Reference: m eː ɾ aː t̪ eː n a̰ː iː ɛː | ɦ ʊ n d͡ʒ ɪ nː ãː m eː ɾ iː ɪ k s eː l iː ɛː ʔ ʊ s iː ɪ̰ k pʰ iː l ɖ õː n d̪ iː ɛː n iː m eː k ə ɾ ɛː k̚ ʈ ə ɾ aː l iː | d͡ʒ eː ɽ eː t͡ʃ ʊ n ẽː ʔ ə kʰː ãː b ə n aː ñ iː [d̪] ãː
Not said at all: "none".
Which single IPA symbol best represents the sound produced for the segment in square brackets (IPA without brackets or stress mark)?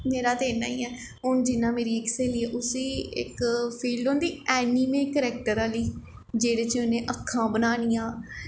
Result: none